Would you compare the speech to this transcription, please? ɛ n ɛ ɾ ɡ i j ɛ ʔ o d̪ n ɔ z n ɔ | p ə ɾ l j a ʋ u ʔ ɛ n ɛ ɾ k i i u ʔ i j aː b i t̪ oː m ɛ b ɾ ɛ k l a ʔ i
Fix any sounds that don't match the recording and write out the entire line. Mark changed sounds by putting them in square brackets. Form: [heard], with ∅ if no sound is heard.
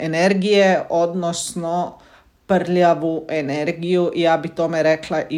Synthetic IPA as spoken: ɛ n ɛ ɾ ɡ i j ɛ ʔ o d̪ n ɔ [s] n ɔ | p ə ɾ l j a ʋ u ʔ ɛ n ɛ ɾ [ɡ] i [j] u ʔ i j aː b i t̪ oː m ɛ [∅] ɾ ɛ k l a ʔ i